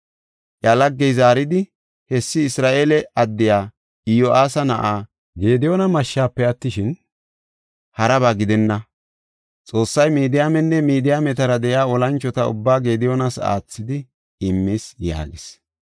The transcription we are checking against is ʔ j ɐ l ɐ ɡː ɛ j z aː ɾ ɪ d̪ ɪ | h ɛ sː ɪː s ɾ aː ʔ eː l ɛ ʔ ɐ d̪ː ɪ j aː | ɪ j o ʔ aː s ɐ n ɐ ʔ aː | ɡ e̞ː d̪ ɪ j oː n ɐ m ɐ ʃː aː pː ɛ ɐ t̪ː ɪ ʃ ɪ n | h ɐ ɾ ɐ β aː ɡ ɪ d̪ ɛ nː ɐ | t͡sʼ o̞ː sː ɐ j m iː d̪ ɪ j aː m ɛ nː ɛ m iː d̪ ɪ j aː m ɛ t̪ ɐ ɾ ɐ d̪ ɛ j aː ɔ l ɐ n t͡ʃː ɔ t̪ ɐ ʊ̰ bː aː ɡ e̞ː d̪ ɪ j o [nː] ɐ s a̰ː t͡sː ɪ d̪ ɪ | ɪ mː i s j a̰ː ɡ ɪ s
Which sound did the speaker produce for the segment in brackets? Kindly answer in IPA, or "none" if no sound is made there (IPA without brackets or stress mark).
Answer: n